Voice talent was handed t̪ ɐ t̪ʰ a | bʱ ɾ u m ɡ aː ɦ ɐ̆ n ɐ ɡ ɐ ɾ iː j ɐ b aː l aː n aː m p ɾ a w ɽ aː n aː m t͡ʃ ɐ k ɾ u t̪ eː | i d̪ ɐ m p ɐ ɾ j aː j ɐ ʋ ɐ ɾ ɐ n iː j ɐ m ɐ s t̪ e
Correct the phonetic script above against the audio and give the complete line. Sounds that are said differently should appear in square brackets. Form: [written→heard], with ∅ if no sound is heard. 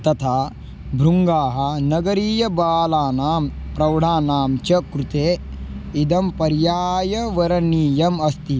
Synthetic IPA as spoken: t̪ ɐ t̪ʰ a | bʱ ɾ u [m→ŋ] ɡ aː ɦ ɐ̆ n ɐ ɡ ɐ ɾ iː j ɐ b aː l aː n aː m p ɾ [a→ɐ] w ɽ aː n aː m t͡ʃ ɐ k ɾ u t̪ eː | i d̪ ɐ m p ɐ ɾ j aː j ɐ ʋ ɐ ɾ ɐ n iː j ɐ m ɐ s t̪ [e→i]